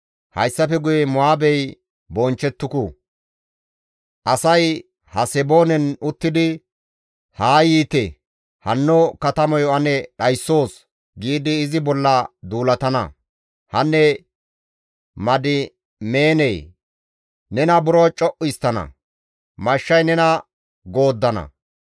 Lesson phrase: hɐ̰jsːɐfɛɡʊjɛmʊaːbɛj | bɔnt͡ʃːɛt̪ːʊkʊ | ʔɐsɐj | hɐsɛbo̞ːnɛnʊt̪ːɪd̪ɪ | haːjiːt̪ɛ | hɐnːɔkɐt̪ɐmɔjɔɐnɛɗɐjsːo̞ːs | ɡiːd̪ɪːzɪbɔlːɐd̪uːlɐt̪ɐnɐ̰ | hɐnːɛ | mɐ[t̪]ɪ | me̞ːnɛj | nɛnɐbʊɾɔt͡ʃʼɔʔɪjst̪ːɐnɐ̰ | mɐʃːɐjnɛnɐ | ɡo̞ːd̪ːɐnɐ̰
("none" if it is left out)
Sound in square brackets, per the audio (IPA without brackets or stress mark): d̪